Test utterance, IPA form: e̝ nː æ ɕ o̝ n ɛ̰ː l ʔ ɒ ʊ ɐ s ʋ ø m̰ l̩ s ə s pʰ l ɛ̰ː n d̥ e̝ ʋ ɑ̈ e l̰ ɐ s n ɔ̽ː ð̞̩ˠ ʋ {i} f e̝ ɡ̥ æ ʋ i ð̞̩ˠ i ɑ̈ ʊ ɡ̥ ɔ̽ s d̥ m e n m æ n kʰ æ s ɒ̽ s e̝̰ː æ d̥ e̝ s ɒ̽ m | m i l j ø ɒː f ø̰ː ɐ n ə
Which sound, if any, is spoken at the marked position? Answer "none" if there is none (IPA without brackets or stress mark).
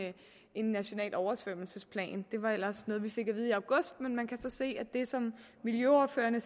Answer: i